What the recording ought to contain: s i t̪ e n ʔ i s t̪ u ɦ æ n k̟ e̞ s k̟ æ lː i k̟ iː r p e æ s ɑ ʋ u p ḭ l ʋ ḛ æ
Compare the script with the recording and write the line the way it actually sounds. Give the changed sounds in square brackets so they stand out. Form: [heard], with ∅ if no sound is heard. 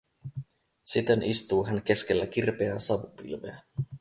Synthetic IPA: s i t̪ e n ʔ i s t̪ [uː] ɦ æ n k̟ e̞ s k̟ [e] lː [æ] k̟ [i] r p e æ s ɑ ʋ u p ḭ l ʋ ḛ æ